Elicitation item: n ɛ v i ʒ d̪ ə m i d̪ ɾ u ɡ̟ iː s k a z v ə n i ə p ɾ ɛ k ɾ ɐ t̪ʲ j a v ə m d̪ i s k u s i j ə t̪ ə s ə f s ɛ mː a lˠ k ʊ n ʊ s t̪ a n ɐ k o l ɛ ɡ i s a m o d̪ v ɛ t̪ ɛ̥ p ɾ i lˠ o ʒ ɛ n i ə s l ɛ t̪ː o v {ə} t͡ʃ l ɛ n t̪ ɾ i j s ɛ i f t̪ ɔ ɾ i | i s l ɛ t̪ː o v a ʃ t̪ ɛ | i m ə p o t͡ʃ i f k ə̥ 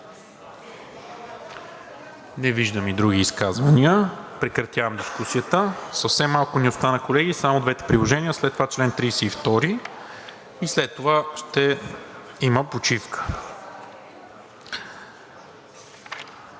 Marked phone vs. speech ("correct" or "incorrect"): incorrect